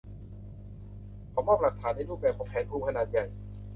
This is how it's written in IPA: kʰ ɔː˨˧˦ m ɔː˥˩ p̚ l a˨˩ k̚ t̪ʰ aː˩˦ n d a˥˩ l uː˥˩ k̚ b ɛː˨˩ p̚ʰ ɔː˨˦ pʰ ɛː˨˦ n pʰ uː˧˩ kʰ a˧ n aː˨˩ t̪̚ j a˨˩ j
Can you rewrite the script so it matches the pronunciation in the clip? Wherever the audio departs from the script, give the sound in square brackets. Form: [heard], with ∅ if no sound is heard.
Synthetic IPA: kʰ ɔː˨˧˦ m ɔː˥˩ p̚ l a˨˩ k̚ t̪ʰ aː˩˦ n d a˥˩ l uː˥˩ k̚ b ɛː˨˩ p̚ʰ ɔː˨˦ pʰ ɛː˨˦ n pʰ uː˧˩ kʰ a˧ n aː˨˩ t̪̚ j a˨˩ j